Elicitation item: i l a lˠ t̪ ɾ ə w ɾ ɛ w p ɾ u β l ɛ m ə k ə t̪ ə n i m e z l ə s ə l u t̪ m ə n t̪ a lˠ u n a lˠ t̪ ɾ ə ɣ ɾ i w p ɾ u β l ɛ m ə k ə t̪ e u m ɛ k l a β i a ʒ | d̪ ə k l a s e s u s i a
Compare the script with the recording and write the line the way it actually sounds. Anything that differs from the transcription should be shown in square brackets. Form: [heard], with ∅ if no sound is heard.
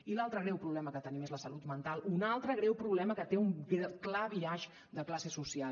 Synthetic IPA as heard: i l a lˠ t̪ ɾ ə [ɣ] ɾ ɛ w p ɾ u β l ɛ m ə k ə t̪ ə n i m e z l ə s ə l u t̪ m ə n t̪ a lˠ u n a lˠ t̪ ɾ ə ɣ ɾ [ɛ] w p ɾ u β l ɛ m ə k ə t̪ e u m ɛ k l a β i a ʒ | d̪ ə k l a s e s u s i a